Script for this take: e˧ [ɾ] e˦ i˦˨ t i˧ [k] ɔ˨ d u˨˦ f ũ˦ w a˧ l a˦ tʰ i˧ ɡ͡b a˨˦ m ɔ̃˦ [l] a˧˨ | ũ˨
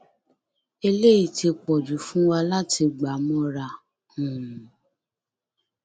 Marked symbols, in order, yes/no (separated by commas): no, no, no